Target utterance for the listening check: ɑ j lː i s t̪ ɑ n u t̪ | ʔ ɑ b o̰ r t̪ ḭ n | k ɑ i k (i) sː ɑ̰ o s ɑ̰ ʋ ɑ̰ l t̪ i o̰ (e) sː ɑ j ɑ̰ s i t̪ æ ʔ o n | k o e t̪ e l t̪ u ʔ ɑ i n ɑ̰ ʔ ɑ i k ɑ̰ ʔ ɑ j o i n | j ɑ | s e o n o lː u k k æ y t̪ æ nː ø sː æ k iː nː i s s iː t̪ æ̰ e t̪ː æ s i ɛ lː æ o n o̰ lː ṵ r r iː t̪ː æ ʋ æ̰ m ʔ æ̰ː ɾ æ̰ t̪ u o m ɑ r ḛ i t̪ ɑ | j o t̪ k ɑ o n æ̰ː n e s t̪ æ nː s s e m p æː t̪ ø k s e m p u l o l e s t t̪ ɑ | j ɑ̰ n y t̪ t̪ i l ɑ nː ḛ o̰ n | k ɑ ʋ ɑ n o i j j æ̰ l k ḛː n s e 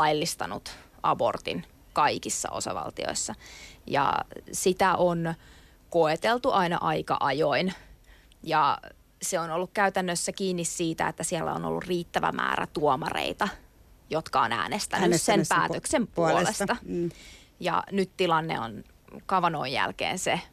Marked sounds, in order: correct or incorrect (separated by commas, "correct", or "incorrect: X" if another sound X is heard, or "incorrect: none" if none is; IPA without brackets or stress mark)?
correct, incorrect: i